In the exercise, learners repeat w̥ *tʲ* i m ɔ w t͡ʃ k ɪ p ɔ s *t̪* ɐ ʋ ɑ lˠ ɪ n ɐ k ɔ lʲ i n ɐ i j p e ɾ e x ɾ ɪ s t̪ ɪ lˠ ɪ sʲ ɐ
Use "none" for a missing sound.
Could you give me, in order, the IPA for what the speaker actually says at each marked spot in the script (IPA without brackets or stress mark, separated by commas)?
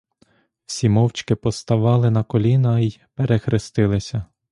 sʲ, t̪